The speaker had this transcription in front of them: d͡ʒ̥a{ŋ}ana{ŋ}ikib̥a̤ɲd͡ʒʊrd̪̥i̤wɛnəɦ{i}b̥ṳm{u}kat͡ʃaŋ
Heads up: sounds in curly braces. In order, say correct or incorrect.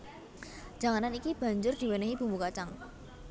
correct, incorrect: n, correct, correct

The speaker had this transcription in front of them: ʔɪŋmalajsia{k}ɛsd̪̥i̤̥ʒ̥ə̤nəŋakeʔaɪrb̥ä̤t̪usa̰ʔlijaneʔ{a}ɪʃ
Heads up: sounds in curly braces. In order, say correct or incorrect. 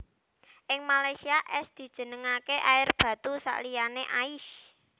incorrect: ʔ, correct

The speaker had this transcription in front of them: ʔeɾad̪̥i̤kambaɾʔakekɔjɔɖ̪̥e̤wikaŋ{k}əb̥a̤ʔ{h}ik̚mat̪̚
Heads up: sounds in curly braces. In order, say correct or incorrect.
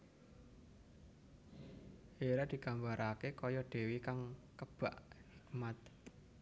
correct, correct

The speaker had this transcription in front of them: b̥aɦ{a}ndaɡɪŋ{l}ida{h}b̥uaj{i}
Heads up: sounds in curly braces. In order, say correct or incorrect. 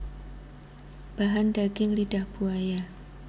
correct, correct, correct, incorrect: a

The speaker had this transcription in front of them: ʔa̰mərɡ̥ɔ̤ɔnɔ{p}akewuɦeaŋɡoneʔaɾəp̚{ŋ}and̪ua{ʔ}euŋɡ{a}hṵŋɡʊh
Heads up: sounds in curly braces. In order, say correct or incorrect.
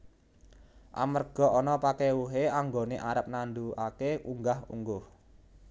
correct, incorrect: n, incorrect: k, correct

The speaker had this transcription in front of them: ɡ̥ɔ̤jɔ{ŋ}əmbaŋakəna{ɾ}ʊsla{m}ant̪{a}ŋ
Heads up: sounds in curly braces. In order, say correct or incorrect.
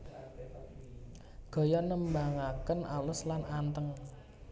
incorrect: n, incorrect: l, incorrect: n, incorrect: ə

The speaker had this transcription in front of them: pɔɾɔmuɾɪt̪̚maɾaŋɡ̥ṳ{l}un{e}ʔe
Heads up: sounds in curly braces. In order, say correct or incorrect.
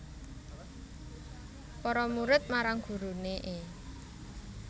incorrect: ɾ, correct

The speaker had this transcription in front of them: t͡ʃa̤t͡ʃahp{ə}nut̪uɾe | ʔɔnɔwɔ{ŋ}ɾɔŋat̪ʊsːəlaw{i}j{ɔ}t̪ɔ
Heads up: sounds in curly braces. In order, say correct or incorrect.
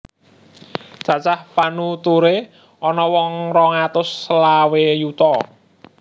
incorrect: a, correct, incorrect: e, incorrect: u

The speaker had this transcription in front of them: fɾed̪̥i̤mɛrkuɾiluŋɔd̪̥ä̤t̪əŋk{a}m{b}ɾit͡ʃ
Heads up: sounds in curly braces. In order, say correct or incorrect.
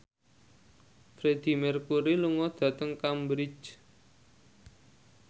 correct, correct

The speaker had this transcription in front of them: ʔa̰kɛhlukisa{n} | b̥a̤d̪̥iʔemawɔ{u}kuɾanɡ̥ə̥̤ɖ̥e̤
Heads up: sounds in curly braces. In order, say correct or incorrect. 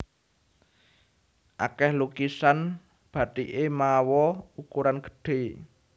correct, correct

